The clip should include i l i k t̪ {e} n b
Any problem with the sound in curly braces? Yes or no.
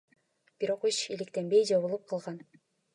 no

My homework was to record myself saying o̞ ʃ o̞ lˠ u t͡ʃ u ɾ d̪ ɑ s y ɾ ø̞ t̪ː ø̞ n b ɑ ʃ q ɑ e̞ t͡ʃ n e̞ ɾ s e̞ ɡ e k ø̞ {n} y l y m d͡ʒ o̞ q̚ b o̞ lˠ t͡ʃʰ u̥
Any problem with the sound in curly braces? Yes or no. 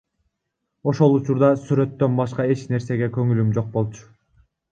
yes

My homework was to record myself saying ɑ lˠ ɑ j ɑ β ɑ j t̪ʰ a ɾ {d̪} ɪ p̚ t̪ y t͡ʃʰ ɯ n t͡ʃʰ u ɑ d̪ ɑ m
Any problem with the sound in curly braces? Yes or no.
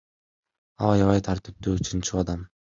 yes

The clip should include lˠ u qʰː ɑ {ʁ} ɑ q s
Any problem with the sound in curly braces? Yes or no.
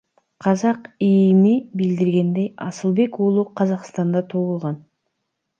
yes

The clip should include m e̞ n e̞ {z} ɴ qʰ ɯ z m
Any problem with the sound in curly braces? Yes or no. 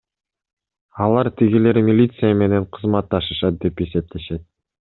yes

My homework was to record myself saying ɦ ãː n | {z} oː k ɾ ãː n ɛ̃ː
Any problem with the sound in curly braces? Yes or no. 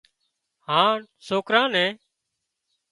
yes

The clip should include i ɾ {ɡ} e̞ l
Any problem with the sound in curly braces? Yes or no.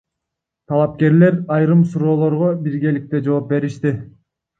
no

